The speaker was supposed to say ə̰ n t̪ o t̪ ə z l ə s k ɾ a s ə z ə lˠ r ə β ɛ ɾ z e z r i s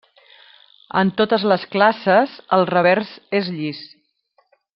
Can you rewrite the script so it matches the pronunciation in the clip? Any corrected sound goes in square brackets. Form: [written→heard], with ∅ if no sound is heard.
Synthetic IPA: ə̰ n t̪ o t̪ ə z l ə s k [ɾ→l] a s ə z ə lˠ r ə β ɛ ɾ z e z [r→ʎ] i s

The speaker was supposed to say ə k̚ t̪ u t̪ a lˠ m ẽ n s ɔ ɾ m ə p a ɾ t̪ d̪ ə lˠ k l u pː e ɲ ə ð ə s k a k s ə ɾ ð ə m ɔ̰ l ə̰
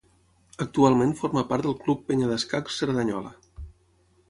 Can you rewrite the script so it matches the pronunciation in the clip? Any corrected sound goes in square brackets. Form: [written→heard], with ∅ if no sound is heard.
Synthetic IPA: ə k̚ t̪ u [t̪→∅] a lˠ m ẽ n [s→f] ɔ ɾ m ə p a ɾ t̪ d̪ ə lˠ k l u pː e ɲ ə ð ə s k a k s ə ɾ ð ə [m→ɲ] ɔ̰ l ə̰

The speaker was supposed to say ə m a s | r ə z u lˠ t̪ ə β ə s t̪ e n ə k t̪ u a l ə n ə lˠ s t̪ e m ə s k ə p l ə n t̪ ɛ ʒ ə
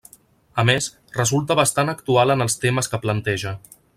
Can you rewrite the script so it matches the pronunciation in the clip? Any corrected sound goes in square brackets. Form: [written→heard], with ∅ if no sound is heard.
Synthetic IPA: ə m [a→e] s | r ə z u lˠ t̪ ə β ə s t̪ [e→a] n ə k t̪ u a l ə n ə lˠ s t̪ e m ə s k ə p l ə n t̪ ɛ ʒ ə

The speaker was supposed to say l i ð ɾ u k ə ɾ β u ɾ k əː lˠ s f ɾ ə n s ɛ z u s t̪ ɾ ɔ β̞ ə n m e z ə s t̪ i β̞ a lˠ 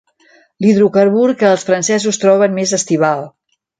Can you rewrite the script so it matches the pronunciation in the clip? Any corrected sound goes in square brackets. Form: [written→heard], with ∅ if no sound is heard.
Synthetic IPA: l i ð ɾ u k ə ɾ β u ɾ k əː lˠ s f ɾ ə n s ɛ z u s t̪ ɾ ɔ β̞ ə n m e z ə s t̪ i β̞ a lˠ

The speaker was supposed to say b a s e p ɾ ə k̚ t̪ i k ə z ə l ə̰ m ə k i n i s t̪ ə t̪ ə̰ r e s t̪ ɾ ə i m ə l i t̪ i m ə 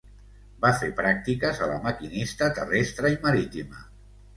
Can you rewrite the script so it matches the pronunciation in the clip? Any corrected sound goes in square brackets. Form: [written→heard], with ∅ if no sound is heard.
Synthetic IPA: b a [s→f] e p ɾ [ə→a] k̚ t̪ i k ə z ə l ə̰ m ə k i n i s t̪ ə t̪ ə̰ r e s t̪ ɾ ə i m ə [l→ɾ] i t̪ i m ə

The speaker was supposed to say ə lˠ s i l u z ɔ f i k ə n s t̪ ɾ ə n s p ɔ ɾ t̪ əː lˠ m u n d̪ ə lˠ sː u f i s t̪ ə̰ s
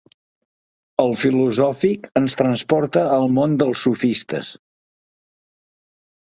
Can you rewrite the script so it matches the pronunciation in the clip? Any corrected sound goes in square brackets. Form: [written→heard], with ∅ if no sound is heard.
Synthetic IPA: ə lˠ [s→f] i l u z ɔ f i k ə n s t̪ ɾ ə n s p ɔ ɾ t̪ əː lˠ m [u→o] n d̪ ə lˠ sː u f i s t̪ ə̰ s

